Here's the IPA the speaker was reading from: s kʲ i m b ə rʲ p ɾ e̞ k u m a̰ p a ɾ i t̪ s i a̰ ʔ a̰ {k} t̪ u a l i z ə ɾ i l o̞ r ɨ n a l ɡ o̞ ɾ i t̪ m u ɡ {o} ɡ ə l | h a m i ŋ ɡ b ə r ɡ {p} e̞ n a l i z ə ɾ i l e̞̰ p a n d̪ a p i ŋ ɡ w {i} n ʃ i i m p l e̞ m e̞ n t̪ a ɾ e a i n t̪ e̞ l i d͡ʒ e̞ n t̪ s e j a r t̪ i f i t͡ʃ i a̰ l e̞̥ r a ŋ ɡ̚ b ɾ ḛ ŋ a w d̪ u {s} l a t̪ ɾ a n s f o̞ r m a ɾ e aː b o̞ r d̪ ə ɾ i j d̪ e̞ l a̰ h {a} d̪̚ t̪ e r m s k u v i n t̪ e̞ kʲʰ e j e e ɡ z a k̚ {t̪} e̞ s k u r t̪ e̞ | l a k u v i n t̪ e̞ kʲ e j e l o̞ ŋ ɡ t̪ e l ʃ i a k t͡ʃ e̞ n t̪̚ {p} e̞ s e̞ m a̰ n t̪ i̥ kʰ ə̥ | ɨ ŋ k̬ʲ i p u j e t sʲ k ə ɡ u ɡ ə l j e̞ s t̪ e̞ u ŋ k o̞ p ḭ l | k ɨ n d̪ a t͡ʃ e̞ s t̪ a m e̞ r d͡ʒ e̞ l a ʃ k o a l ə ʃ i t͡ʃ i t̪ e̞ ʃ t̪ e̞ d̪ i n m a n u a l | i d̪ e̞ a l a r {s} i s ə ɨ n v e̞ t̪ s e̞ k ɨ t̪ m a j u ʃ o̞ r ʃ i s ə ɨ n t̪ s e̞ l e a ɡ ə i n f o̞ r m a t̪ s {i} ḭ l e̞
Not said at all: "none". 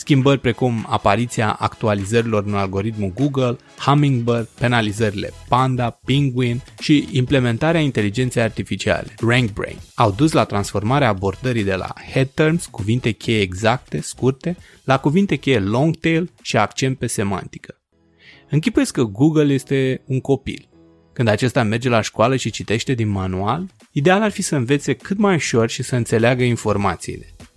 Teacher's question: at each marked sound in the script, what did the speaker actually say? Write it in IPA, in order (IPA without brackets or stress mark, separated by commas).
k, u, p, i, s, e, t̪, p, f, i